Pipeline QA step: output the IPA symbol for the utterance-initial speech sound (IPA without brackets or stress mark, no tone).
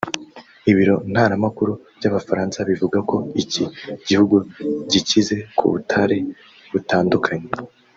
i